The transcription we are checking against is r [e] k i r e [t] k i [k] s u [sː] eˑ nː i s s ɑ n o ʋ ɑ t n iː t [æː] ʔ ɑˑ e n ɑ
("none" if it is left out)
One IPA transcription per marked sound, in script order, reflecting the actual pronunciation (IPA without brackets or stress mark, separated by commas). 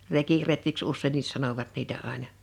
e, t, k, sː, æ